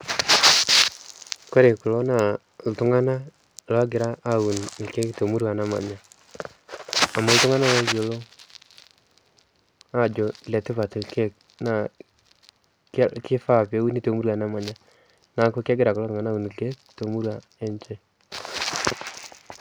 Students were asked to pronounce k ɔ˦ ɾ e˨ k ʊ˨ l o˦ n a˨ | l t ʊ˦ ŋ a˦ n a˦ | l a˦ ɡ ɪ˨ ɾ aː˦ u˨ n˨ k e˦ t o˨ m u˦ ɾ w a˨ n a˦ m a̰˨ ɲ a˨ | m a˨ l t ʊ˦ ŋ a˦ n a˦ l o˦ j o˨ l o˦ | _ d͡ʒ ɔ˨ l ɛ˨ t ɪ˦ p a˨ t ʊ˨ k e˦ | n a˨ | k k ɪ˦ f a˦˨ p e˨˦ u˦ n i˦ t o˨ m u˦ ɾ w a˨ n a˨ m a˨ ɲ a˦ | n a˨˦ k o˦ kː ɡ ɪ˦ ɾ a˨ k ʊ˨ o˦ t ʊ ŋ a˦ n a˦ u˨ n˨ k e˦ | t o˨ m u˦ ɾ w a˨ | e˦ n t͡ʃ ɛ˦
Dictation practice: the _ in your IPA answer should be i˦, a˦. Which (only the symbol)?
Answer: a˦